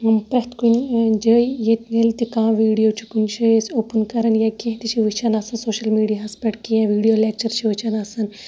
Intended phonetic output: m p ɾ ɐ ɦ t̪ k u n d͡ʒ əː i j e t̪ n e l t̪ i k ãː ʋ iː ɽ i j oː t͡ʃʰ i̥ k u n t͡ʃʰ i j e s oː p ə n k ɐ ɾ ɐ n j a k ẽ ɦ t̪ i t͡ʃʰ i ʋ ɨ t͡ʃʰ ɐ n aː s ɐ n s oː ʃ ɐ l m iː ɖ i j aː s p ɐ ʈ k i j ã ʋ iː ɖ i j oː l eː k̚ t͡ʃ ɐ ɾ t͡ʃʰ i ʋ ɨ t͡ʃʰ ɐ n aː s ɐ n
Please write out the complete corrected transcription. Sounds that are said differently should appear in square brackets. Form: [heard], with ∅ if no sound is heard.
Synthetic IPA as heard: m p ɾ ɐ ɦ t̪ k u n d͡ʒ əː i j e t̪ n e l t̪ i k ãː ʋ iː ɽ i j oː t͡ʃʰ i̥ k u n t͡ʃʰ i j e s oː p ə n k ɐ ɾ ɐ n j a k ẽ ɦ t̪ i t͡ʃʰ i ʋ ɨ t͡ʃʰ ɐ n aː s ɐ n s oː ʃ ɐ l m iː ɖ i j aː s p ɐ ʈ k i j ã ʋ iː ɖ i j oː l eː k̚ t͡ʃ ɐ ɾ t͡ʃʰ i ʋ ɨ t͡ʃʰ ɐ n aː s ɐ n